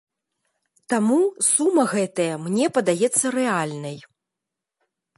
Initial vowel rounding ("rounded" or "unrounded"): unrounded